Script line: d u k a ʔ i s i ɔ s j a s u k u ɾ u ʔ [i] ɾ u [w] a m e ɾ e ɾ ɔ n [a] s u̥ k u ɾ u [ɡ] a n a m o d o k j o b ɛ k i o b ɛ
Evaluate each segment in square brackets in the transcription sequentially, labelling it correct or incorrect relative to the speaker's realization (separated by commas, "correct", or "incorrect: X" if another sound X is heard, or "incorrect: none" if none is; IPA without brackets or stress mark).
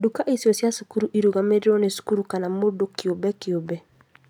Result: correct, incorrect: ɣ, incorrect: e, incorrect: k